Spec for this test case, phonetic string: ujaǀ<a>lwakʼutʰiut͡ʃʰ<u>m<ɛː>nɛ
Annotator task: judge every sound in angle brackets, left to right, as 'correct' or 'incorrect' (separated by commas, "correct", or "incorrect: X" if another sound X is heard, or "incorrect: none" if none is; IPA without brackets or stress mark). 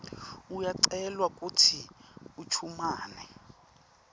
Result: incorrect: ɛ, correct, incorrect: aː